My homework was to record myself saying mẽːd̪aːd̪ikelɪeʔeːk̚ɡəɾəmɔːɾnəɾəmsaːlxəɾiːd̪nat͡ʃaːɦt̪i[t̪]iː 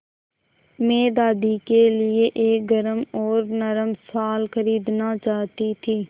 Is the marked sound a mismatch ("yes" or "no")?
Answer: yes